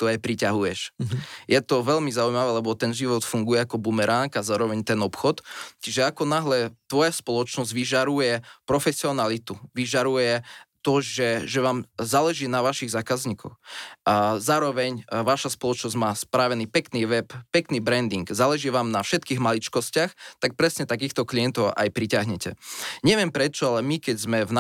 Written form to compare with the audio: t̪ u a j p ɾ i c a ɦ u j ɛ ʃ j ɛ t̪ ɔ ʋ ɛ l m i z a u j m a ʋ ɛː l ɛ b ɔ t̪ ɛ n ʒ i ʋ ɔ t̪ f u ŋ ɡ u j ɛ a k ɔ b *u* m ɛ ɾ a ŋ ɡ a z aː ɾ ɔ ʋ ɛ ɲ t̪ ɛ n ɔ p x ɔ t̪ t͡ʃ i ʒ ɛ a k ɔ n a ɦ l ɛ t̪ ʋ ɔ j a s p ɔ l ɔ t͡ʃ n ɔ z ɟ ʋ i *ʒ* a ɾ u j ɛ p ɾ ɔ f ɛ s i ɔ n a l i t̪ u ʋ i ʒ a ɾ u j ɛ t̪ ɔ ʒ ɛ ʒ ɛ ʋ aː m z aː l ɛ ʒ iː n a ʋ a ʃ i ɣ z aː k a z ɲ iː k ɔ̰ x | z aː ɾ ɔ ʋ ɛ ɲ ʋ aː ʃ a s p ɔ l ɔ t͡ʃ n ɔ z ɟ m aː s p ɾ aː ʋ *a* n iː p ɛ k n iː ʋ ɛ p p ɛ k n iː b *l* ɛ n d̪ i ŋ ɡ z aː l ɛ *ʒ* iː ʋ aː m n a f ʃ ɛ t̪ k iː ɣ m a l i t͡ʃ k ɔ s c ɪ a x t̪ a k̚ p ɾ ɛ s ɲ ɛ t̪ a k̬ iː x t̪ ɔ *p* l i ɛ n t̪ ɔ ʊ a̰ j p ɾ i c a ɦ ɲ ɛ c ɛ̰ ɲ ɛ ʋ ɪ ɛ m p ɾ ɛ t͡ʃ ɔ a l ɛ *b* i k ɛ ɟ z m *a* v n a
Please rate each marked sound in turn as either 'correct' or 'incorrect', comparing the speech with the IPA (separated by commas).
correct, correct, incorrect, incorrect, correct, incorrect, incorrect, incorrect